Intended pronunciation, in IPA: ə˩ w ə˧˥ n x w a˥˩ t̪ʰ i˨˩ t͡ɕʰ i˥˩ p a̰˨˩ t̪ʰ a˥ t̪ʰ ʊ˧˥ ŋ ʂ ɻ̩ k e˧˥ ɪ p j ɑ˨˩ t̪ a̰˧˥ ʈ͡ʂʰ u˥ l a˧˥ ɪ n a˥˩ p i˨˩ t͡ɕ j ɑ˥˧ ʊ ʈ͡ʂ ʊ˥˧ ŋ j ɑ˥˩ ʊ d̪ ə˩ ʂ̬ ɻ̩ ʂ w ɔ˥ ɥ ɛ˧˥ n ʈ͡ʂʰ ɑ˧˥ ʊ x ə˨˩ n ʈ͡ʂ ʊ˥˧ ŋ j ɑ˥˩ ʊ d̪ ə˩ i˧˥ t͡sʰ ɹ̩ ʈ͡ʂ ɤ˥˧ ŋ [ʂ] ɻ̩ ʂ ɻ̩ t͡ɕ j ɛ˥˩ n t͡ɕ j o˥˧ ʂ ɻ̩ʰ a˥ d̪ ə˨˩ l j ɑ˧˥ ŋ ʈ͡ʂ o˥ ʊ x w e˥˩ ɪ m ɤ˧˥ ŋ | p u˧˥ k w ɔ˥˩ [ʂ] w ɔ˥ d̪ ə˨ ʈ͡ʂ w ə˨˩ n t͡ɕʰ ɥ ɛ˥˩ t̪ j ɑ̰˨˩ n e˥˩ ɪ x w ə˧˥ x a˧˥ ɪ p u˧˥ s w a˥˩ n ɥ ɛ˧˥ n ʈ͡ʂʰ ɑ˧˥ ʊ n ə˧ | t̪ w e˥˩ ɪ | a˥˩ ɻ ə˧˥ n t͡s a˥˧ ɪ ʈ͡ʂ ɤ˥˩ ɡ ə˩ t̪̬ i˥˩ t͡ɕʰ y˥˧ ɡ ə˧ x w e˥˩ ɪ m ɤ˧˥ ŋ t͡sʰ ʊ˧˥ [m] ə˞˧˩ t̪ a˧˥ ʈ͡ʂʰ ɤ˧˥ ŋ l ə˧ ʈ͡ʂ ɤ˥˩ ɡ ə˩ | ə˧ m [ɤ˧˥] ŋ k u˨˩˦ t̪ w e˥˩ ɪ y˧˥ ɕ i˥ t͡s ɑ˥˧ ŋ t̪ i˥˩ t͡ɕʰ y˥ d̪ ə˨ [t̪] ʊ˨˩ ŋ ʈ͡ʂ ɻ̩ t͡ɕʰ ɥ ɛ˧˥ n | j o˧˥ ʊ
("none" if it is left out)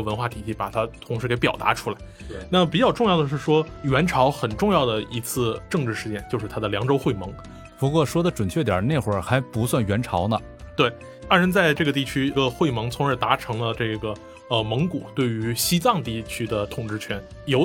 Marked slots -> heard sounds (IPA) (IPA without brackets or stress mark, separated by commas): ʈ͡ʂ, ʂ, ŋ, ɤ˧˥, t̪ʰ